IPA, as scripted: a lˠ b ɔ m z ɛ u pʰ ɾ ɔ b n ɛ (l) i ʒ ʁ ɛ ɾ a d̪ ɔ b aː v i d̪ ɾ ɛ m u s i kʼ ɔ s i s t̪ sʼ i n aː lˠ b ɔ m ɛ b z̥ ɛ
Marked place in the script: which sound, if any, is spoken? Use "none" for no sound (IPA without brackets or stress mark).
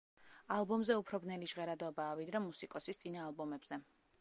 l